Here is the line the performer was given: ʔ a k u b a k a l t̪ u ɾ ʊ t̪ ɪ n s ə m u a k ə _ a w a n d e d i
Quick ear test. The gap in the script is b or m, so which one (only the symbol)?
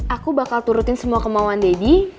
m